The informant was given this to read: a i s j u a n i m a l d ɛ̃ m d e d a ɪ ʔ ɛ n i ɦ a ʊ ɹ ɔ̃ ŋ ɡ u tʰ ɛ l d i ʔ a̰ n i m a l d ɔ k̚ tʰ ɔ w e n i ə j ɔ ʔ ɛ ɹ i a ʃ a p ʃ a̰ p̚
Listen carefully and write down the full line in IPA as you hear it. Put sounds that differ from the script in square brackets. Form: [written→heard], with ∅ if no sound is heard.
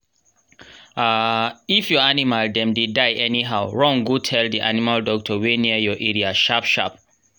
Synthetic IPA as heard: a i [s→f] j [u→ɔ] a n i m a l d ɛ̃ m d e d a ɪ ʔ ɛ n i ɦ a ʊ ɹ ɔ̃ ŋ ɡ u tʰ ɛ l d i ʔ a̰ n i m a l d ɔ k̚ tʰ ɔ w e n i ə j ɔ ʔ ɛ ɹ i a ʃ a p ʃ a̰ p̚